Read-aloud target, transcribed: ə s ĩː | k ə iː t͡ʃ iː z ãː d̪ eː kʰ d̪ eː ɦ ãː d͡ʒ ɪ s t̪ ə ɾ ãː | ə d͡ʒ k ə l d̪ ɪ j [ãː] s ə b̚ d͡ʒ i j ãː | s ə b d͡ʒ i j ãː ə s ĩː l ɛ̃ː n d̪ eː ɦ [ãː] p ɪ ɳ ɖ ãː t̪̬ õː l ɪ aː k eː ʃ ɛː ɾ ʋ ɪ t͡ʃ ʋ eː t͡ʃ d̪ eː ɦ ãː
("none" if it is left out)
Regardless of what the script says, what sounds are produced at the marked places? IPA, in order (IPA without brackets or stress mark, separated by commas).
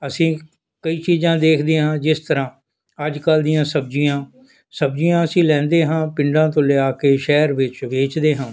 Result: ãː, ãː